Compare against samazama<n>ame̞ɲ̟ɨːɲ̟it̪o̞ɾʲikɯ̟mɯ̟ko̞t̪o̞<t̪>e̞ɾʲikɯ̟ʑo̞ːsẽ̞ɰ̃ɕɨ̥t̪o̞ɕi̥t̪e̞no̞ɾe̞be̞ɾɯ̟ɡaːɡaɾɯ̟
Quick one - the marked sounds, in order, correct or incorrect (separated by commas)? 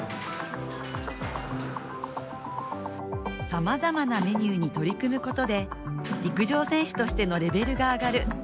correct, incorrect